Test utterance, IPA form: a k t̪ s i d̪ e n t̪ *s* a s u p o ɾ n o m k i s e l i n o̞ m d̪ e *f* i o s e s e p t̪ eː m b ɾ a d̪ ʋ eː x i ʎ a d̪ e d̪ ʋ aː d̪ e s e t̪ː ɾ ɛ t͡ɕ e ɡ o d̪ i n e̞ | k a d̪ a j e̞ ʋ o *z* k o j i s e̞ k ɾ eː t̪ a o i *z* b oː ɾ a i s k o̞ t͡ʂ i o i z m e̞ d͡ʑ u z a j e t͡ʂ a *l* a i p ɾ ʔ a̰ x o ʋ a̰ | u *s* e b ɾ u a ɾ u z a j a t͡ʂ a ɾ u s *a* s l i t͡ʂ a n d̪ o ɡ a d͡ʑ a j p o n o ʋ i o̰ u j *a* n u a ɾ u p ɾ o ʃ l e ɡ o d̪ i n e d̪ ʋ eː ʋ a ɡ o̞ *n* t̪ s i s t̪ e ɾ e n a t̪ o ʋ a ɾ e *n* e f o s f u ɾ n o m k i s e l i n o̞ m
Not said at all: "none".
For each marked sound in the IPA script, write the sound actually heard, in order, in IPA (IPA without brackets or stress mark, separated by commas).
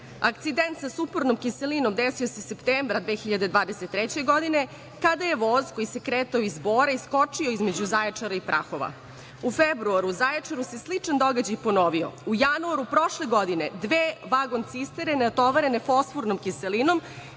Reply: s, s, z, z, ɾ, f, e, a, n, n